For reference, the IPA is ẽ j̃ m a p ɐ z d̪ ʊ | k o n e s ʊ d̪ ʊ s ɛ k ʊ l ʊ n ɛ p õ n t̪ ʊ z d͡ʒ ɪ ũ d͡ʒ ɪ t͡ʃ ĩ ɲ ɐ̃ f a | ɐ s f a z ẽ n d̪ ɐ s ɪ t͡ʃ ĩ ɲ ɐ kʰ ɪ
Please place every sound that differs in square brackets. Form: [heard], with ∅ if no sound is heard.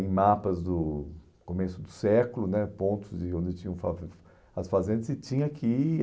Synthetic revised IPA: ẽ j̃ m a p ɐ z d̪ ʊ | k o [m] e s ʊ d̪ ʊ s ɛ k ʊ l ʊ n ɛ p õ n t̪ ʊ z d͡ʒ ɪ [õ] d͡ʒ ɪ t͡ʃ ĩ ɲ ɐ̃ f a | ɐ s f a z ẽ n d̪ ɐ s ɪ t͡ʃ ĩ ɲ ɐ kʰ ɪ